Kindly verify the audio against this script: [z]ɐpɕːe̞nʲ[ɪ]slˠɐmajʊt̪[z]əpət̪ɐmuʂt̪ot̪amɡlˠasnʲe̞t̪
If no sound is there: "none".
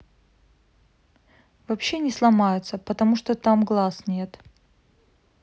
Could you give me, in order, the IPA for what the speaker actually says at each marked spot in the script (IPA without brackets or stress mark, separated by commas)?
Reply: v, ɪ, s